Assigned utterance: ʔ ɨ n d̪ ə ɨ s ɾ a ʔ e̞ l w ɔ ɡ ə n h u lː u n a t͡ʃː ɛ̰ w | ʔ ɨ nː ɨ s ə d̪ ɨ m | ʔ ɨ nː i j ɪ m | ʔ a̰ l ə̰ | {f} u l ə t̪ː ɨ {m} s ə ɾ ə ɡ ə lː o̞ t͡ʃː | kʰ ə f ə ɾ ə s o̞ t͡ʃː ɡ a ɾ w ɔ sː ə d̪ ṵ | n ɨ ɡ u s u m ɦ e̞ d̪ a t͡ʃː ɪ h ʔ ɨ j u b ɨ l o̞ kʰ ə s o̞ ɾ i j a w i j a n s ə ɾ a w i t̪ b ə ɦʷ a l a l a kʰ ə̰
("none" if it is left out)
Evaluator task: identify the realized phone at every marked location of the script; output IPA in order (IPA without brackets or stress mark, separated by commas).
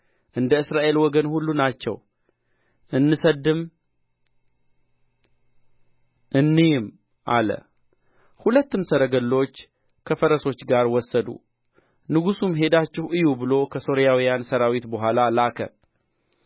h, m